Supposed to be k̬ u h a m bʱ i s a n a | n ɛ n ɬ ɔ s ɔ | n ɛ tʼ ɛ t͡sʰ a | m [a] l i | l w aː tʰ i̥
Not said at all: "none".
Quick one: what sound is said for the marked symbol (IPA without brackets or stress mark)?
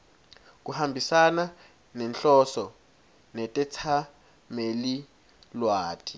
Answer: e